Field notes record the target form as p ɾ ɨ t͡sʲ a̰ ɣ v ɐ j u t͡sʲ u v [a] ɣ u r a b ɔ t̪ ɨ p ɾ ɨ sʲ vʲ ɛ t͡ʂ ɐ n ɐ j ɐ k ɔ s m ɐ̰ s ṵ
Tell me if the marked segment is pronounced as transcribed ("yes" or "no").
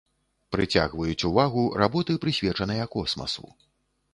yes